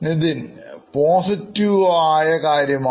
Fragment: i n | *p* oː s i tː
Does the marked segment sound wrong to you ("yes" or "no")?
no